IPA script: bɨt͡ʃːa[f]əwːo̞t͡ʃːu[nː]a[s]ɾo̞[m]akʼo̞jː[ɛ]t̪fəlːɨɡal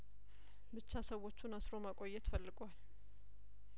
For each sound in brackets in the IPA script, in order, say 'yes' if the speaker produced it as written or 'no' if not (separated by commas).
no, no, yes, yes, yes